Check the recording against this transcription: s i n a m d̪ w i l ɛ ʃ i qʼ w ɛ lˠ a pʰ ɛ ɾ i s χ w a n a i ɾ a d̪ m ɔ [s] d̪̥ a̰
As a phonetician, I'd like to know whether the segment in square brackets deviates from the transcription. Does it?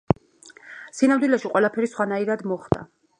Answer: yes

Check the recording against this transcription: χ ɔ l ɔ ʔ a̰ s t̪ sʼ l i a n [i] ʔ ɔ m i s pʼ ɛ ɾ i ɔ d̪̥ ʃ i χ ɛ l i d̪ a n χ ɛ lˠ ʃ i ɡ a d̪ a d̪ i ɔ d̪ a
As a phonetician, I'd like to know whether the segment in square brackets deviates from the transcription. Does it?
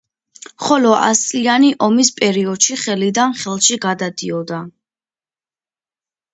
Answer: no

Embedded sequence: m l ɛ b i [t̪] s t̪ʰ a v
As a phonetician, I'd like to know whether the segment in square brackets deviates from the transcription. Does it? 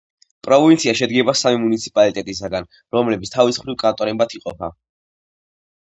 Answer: no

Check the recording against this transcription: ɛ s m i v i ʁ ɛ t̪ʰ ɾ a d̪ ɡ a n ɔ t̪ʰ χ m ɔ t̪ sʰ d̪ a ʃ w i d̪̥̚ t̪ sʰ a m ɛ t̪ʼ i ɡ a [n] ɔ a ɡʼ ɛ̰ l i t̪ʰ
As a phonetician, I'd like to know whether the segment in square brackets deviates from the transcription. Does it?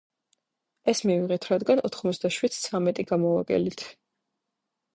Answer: yes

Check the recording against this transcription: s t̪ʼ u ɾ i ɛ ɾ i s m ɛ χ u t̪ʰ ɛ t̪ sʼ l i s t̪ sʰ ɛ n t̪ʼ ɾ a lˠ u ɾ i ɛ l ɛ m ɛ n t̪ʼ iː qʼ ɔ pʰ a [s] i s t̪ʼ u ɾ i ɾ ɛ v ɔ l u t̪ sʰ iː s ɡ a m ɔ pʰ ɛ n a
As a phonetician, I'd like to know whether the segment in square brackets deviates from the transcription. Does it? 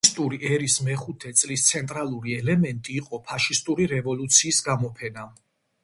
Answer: yes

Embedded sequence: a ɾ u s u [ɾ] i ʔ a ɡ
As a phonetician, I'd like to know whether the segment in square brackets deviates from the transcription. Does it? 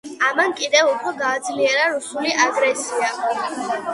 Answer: yes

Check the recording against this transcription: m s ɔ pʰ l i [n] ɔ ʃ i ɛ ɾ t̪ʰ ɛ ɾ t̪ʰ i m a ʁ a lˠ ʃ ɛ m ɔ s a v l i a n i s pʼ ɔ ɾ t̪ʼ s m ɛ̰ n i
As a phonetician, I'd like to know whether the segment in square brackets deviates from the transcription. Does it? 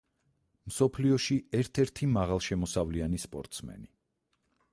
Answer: yes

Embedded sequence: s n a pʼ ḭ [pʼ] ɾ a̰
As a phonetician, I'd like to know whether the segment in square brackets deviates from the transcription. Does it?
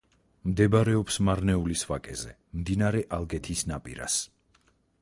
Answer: yes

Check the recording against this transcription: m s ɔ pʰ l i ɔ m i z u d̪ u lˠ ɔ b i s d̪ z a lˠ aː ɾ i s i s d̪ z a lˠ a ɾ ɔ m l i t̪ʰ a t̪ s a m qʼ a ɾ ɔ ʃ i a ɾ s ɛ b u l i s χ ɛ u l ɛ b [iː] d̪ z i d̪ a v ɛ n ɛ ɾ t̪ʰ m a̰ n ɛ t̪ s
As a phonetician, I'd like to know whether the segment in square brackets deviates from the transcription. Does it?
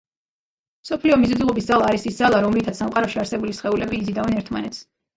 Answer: no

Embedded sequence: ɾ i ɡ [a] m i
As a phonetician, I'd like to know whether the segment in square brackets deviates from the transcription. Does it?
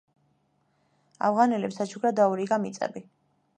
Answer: no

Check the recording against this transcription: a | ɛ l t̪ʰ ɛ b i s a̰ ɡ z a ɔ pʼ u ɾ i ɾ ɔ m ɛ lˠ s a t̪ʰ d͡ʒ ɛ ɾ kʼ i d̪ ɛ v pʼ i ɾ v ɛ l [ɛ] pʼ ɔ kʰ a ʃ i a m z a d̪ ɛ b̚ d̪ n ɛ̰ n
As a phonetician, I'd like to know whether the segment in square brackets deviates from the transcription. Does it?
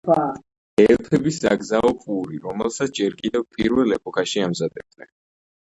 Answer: no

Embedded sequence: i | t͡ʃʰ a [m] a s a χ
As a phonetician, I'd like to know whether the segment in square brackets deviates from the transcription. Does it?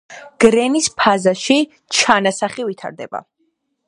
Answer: yes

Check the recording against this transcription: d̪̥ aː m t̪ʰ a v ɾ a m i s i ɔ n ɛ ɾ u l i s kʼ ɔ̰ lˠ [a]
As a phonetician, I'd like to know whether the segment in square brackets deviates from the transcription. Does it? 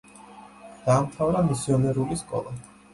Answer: no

